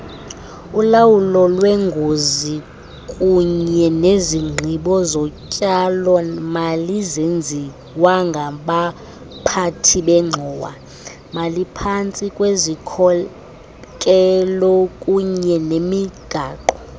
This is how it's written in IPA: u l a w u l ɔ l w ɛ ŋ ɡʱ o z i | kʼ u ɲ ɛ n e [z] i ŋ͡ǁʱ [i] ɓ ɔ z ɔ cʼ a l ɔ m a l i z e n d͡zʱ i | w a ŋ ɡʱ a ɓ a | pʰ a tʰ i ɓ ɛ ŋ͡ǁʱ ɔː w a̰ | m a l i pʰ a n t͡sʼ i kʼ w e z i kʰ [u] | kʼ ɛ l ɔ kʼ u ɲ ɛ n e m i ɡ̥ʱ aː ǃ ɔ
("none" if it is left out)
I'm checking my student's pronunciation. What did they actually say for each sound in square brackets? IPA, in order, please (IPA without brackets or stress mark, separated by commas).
z, i, ɔ